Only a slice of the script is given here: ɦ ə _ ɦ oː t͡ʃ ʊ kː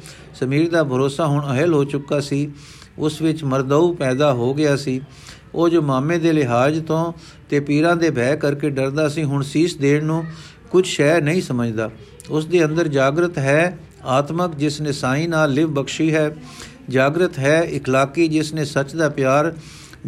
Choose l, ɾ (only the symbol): l